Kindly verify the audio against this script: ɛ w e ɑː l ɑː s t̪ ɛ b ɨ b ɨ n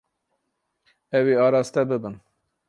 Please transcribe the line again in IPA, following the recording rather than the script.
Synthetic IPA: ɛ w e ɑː ɾ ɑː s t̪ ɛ b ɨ b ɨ n